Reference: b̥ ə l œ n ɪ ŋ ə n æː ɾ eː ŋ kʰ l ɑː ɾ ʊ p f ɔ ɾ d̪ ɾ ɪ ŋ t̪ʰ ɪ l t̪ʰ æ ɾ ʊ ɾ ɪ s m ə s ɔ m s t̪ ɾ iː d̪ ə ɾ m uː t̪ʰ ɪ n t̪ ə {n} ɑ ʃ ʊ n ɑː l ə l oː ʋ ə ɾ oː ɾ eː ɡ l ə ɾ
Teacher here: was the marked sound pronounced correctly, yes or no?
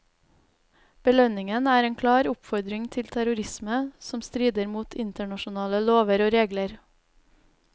no